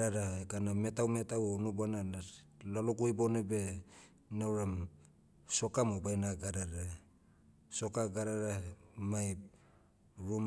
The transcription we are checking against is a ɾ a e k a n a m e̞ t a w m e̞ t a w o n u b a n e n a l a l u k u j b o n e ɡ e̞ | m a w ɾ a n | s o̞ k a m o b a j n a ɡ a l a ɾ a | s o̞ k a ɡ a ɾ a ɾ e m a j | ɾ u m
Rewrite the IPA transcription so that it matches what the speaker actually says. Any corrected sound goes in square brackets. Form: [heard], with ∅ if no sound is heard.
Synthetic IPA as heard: a ɾ a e k a n a m e̞ t a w m e̞ t a w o n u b a n [a] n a l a l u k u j b o n e [b] e̞ | [n] a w ɾ a [m] | s o̞ k a m o b a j n a ɡ a [ɾ] a ɾ a | s o̞ k a ɡ a ɾ a ɾ [a] m a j | ɾ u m